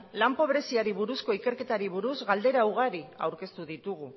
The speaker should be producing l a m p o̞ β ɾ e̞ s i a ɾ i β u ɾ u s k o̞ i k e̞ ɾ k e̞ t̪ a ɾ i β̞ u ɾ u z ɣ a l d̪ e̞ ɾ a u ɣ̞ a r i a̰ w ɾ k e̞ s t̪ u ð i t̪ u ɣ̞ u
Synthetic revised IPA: l a m p o̞ β ɾ e̞ s i a ɾ i β u ɾ u s k o̞ i k e̞ ɾ k e̞ t̪ a ɾ i β̞ u ɾ u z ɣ a l d̪ e̞ ɾ a u ɣ̞ a ɾ i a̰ w ɾ k e̞ s t̪ u ð i t̪ u ɣ̞ u